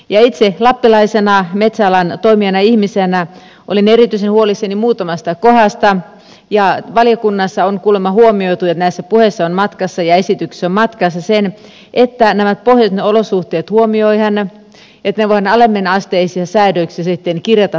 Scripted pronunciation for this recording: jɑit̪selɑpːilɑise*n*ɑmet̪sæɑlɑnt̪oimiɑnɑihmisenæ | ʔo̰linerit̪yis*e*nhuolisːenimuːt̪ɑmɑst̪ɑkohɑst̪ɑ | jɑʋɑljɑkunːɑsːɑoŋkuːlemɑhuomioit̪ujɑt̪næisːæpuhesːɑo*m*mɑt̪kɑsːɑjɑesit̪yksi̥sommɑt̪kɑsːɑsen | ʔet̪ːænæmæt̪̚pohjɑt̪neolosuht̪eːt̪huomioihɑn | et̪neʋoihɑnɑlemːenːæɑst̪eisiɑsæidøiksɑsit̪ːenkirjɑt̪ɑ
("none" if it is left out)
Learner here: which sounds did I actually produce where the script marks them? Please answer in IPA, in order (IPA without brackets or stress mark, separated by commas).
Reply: n, e, n